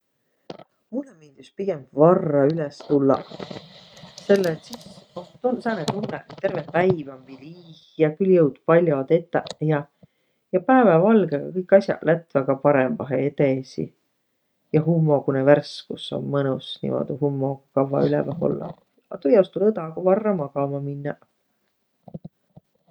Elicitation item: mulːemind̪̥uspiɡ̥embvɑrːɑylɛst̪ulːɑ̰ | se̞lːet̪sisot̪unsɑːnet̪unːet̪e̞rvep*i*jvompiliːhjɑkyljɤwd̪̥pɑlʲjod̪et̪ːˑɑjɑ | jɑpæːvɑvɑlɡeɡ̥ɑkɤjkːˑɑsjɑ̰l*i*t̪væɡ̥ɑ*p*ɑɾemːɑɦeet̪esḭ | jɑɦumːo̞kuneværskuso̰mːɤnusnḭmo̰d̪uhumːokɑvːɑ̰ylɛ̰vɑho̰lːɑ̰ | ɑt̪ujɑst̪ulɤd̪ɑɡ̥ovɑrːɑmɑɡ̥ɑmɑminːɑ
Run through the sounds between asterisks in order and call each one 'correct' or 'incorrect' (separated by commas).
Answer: incorrect, incorrect, correct